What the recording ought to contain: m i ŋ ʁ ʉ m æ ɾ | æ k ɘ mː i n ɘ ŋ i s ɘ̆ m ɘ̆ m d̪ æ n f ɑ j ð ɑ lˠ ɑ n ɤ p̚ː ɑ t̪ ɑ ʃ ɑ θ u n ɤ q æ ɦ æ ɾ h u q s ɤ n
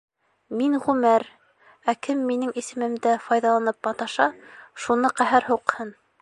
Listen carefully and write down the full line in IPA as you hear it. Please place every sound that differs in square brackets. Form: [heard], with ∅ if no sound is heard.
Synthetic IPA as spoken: m i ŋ ʁ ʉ m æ ɾ | æ k ɘ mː i n ɘ ŋ i s ɘ̆ m ɘ̆ m d̪ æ [∅] f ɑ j ð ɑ lˠ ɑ n ɤ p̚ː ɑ t̪ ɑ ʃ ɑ [ʃ] u n ɤ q æ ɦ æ ɾ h u q [h] ɤ n